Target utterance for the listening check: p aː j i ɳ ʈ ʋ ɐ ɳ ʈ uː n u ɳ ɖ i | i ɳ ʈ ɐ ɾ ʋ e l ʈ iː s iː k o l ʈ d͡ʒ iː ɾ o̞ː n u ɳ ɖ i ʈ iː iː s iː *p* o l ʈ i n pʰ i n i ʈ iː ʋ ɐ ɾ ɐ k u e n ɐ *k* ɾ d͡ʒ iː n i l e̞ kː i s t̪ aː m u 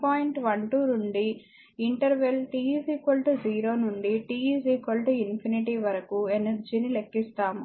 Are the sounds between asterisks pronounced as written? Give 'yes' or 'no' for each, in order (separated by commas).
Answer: no, no